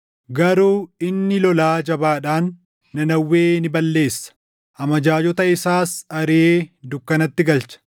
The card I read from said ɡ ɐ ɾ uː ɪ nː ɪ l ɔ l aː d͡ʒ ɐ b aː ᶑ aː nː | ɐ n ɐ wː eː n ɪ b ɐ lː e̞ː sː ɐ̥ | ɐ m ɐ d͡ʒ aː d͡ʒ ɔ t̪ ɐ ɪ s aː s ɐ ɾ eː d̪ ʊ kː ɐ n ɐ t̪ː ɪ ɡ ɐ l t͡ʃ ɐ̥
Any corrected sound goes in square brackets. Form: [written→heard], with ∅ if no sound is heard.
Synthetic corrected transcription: ɡ ɐ ɾ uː ɪ nː ɪ l ɔ l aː d͡ʒ ɐ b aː ᶑ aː nː | ɐ n ɐ wː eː n ɪ b ɐ lː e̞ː sː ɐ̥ | ɐ m ɐ d͡ʒ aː d͡ʒ ɔ t̪ ɐ ɪ s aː s ɐ ɾ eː d̪ ʊ kː ɐ n ɐ t̪ː ɪ ɡ ɐ l t͡ʃ ɐ̥